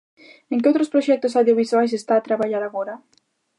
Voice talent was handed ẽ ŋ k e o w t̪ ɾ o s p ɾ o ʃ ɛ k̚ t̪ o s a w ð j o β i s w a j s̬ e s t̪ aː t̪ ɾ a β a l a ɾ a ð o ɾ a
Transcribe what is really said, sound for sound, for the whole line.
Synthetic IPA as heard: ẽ ŋ k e o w t̪ ɾ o s p ɾ o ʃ ɛ k̚ t̪ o s a w ð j o β i s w a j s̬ e s t̪ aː t̪ ɾ a β a ʎ a ɾ a ɣ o ɾ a